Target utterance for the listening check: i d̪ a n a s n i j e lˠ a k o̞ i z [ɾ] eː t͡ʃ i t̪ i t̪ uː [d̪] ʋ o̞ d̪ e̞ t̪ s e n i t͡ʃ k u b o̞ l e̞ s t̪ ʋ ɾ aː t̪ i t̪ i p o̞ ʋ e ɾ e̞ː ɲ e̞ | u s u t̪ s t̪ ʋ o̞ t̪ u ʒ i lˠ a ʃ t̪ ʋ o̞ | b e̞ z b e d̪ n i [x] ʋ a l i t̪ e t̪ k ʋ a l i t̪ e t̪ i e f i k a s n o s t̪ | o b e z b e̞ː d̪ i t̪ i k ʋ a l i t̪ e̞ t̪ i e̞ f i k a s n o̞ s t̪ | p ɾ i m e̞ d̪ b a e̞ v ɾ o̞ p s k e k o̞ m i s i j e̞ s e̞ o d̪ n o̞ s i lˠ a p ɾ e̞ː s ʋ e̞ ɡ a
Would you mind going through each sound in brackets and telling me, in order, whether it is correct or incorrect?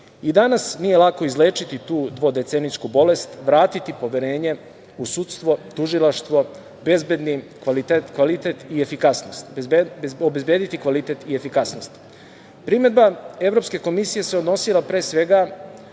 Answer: incorrect: l, correct, incorrect: k

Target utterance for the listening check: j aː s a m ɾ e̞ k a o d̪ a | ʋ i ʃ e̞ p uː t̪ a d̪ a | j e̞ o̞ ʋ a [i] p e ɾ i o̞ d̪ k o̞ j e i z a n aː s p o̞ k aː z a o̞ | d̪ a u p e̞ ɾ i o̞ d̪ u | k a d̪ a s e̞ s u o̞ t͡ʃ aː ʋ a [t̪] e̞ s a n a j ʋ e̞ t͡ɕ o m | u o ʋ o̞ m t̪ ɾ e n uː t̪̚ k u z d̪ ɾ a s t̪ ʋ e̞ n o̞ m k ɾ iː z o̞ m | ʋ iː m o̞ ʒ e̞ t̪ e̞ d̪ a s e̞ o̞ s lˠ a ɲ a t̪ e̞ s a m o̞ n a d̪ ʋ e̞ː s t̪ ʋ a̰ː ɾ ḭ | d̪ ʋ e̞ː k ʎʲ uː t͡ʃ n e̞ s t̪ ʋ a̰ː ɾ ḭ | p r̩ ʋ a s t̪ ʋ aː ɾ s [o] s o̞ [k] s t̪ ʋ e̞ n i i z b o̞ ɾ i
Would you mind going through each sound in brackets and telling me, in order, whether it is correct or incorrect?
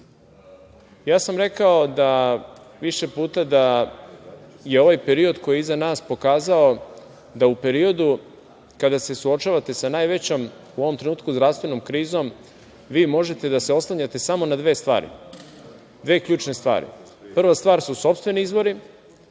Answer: incorrect: j, correct, incorrect: u, incorrect: p

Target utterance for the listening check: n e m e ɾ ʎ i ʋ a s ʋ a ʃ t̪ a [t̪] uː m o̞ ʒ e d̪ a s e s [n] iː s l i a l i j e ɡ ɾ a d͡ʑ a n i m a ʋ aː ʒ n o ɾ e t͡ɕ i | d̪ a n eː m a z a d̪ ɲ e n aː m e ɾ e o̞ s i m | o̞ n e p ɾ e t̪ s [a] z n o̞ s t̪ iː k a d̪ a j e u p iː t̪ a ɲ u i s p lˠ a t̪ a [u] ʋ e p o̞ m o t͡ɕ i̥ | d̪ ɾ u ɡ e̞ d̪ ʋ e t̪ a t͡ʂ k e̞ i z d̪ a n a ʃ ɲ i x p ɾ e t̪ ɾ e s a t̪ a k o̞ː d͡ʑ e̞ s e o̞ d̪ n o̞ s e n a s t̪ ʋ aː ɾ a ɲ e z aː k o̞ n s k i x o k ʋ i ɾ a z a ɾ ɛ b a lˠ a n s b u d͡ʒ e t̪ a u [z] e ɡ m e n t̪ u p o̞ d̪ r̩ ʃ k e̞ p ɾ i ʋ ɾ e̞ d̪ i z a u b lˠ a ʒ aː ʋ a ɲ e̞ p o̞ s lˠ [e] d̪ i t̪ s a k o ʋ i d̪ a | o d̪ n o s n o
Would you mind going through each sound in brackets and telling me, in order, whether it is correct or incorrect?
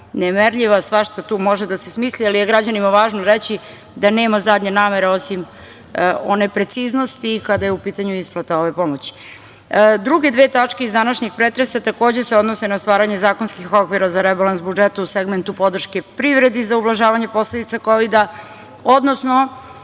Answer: correct, incorrect: m, incorrect: i, incorrect: o, incorrect: s, correct

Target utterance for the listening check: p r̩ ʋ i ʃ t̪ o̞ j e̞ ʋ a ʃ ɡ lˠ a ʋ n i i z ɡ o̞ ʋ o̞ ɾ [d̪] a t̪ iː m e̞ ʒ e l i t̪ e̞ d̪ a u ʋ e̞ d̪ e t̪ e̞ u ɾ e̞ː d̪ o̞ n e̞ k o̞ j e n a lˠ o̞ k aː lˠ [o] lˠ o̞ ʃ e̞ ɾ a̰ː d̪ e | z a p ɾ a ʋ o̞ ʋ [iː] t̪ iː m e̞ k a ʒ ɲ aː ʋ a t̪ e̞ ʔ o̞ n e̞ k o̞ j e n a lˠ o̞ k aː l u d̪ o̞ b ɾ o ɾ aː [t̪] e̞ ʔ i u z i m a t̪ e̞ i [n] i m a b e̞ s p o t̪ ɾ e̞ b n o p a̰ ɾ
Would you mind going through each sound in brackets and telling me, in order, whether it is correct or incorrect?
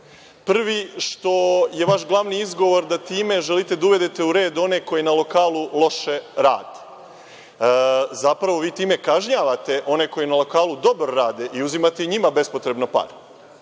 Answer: correct, incorrect: u, correct, incorrect: d̪, incorrect: ɲ

